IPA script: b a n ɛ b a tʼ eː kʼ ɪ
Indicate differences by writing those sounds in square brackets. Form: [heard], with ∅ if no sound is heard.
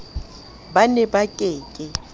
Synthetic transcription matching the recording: b a n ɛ b a [kʼ] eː kʼ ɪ